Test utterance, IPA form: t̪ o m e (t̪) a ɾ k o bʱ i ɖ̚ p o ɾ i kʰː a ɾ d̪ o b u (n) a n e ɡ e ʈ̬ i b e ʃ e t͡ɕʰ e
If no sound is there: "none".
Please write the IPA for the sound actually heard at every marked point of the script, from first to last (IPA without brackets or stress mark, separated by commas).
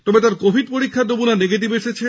t̪, n